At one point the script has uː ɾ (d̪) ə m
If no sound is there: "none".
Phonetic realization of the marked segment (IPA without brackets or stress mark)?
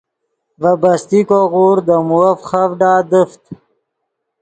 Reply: d̪